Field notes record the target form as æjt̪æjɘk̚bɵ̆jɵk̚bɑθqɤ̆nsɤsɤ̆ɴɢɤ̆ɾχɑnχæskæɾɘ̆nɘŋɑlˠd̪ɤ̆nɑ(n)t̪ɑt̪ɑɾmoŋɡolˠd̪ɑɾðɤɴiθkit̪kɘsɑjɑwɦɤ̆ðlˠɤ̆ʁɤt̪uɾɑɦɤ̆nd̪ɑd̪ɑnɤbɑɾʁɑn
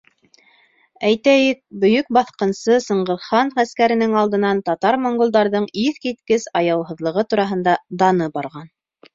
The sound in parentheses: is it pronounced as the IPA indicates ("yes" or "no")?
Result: yes